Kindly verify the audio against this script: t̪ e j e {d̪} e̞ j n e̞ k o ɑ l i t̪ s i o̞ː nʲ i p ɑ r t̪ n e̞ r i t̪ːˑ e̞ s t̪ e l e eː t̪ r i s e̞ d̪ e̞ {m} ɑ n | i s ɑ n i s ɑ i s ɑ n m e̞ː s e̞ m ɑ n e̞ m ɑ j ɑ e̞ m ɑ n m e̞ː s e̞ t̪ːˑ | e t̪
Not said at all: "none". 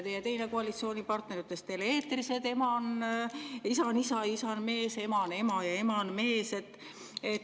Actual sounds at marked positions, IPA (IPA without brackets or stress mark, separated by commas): t̪, m